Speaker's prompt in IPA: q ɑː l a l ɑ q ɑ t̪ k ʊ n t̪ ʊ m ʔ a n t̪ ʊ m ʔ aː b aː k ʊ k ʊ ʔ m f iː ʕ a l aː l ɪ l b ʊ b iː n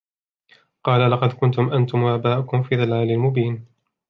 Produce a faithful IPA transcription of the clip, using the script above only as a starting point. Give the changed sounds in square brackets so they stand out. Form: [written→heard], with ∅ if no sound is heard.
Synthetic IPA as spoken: q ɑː l a l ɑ q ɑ [t̪→d̪] k ʊ n t̪ ʊ m ʔ a n t̪ ʊ m ʔ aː b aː [k→ʔ] ʊ k ʊ [ʔ→∅] m f iː [ʕ→ð] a l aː l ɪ l [b→m] ʊ b iː n